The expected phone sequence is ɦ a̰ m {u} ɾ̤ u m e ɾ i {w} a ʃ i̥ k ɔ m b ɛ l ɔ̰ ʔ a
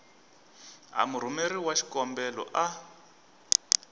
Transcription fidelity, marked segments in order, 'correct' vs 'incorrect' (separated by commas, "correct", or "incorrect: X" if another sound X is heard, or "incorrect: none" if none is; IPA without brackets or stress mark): correct, correct